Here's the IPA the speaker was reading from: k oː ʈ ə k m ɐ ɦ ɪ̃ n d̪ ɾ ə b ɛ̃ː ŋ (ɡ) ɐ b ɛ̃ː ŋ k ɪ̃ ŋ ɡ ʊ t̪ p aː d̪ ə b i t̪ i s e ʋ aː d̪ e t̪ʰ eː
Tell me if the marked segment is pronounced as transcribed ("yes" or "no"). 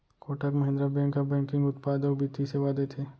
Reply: no